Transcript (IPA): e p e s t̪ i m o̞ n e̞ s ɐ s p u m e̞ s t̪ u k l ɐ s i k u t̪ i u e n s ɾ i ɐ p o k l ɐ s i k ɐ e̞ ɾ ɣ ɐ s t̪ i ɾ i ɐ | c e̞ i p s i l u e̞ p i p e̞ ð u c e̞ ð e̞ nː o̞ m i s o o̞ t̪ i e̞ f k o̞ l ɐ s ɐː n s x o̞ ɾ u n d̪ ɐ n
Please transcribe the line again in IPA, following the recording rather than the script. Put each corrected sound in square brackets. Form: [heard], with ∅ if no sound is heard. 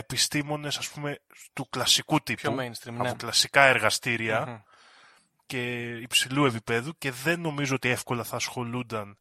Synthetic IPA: e p [i] s t̪ i m o̞ n e̞ s ɐ s p u m e̞ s t̪ u k l ɐ s i k u t̪ i u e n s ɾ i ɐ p o k l ɐ s i k ɐ e̞ ɾ ɣ ɐ s t̪ i ɾ i ɐ | c e̞ i p s i l u e̞ p i p e̞ ð u c e̞ ð e̞ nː o̞ m i [z] o o̞ t̪ i e̞ f k o̞ l ɐ [θ] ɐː [∅] s x o̞ [l] u n d̪ ɐ n